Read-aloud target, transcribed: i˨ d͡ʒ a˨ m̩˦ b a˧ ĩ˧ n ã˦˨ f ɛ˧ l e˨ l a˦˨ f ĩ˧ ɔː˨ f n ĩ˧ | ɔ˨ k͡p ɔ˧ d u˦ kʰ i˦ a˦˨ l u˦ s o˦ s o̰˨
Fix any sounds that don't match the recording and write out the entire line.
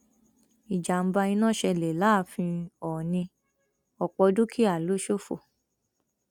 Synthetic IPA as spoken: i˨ d͡ʒ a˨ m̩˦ b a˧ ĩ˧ n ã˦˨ ʃ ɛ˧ l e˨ l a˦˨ f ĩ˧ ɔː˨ n ĩ˧ | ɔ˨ k͡p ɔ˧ d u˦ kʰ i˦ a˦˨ l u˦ ʃ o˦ f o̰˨

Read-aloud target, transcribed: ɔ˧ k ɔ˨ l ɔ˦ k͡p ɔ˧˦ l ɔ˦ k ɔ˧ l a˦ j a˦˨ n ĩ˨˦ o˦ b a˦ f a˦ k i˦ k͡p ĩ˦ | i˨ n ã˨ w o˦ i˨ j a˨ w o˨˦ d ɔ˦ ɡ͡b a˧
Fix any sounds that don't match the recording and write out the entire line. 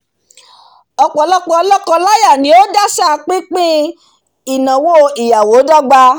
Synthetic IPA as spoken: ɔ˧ k͡p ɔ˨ l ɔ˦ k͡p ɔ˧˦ l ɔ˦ k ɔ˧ l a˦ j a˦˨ n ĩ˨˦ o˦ d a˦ s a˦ k͡p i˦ k͡p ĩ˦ | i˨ n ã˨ w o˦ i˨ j a˨ w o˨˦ d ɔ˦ ɡ͡b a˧

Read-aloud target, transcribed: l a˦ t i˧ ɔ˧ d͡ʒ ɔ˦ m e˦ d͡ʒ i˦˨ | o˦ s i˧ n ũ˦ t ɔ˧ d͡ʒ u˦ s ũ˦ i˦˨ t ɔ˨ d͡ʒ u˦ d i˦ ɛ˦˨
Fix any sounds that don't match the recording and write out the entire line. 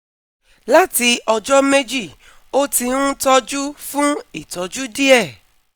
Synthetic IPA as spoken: l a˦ t i˧ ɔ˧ d͡ʒ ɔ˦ m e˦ d͡ʒ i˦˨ | o˦ t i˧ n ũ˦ t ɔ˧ d͡ʒ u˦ f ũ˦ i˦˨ t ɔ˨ d͡ʒ u˦ d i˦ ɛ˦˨

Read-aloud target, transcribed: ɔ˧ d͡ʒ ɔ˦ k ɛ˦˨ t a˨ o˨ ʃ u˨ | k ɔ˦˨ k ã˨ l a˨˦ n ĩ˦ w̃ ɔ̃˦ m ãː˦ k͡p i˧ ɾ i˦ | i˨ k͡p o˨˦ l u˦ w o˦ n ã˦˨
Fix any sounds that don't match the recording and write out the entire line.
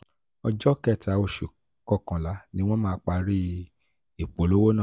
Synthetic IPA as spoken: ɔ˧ d͡ʒ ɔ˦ k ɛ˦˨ t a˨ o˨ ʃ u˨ | k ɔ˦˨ k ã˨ l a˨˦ n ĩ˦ w̃ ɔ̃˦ m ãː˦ k͡p a˧ ɾ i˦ | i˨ k͡p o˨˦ l o˦ w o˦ n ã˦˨

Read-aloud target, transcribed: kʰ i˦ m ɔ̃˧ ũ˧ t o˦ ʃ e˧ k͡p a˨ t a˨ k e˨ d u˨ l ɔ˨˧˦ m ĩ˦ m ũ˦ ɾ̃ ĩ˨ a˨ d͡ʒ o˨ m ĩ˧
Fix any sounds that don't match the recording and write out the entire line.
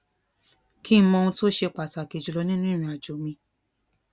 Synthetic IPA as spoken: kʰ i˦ m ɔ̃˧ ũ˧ t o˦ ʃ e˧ k͡p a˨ t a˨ k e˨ d͡ʒ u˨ l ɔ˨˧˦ n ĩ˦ n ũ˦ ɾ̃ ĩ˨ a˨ d͡ʒ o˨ m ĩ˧

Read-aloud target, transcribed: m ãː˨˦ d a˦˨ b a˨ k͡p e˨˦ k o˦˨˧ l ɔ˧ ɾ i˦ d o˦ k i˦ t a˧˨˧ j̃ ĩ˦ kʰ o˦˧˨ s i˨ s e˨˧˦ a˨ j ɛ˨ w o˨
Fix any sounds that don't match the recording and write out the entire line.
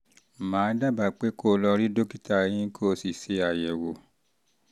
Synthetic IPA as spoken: m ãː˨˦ d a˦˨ b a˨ k͡p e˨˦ k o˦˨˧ l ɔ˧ ɾ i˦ d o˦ k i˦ t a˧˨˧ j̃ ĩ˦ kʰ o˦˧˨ s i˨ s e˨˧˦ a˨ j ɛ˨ w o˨

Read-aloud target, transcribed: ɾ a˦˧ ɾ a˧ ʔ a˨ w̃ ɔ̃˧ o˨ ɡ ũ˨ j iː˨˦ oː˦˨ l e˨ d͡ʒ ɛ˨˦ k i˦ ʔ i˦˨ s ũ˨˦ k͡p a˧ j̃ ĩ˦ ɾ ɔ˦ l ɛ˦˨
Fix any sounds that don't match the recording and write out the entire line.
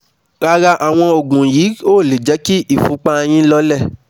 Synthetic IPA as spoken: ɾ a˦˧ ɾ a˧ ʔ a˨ w̃ ɔ̃˧ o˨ ɡ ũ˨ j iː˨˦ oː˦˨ l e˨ d͡ʒ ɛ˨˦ k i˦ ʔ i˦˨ f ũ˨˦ k͡p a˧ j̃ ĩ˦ l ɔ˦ l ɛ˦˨

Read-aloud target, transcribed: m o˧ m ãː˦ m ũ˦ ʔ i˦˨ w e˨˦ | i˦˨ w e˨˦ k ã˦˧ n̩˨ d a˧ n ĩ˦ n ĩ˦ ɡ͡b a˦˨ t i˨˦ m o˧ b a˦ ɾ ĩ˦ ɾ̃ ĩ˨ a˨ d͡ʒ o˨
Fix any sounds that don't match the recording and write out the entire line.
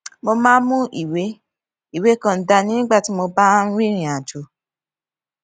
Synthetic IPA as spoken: m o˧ m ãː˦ m ũ˦ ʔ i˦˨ w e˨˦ | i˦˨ w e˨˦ k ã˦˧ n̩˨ d a˧ n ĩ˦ n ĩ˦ ɡ͡b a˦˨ t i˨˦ m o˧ b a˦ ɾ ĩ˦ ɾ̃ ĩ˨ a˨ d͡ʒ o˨

